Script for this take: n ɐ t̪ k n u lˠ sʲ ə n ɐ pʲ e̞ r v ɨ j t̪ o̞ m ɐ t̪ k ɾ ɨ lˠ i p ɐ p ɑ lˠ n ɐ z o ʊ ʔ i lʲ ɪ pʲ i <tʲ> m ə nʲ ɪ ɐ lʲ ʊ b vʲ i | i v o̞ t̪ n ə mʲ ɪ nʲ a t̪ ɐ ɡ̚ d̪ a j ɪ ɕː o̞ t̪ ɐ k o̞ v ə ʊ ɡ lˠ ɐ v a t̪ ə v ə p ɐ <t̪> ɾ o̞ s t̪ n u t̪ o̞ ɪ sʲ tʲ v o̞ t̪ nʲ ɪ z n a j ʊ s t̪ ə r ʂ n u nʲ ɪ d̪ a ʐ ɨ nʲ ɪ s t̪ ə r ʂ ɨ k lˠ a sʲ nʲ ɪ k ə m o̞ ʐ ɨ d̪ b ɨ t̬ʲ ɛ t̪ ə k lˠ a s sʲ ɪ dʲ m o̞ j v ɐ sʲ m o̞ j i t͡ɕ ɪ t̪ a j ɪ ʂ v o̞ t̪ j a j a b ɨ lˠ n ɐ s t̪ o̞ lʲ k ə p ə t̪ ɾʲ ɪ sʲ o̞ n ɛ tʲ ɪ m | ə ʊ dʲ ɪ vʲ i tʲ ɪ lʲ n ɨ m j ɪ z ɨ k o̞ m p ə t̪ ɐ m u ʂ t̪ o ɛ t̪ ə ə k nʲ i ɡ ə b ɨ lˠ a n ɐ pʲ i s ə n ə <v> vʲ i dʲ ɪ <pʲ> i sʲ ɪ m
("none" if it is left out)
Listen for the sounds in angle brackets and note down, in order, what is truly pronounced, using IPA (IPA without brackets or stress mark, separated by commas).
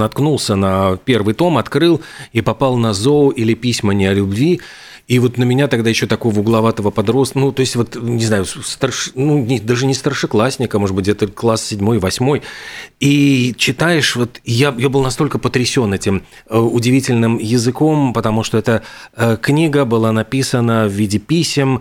sʲ, d̪, v, pʲ